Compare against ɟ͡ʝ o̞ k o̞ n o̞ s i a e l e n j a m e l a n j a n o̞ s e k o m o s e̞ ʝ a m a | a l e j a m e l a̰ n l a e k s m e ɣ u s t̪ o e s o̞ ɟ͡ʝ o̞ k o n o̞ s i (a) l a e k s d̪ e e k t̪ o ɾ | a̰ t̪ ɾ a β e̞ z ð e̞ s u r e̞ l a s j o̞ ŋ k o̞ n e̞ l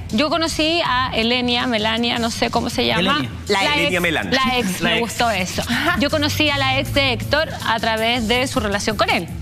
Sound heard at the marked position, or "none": a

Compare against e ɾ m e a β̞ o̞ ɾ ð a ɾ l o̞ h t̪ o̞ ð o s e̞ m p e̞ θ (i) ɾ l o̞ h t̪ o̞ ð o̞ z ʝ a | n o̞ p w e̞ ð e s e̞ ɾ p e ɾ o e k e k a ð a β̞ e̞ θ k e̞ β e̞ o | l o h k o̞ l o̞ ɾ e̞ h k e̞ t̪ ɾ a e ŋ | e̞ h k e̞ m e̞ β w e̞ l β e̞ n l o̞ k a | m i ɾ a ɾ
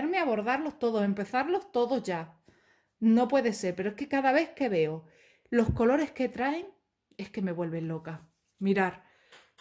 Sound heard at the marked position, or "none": a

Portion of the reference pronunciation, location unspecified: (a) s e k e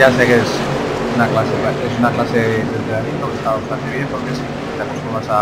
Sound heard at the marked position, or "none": a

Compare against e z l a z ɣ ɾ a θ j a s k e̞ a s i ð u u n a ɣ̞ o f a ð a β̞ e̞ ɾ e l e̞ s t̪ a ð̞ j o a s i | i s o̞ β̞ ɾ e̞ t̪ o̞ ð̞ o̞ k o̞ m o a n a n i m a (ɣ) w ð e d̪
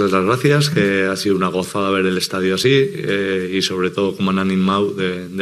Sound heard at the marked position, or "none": none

